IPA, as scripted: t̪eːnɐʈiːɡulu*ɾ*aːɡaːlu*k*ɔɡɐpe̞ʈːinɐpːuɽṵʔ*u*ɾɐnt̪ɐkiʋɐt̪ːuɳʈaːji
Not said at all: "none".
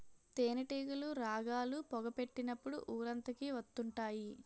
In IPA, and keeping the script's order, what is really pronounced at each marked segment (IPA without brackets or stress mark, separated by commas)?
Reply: ɾ, p, uː